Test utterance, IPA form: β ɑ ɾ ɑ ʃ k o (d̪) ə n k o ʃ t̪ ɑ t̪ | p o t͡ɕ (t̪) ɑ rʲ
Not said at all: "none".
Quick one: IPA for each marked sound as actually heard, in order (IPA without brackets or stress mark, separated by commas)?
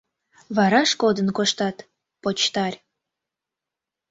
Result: d̪, t̪